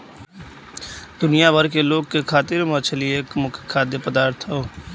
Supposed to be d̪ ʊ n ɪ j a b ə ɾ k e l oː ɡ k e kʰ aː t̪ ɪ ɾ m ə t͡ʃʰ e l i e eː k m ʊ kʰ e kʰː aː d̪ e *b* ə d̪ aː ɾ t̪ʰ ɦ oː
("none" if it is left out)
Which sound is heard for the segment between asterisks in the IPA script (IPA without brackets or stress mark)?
p